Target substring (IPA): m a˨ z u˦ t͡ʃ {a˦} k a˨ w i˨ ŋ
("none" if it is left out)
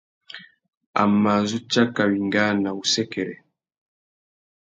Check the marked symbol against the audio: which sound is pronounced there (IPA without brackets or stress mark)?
a˦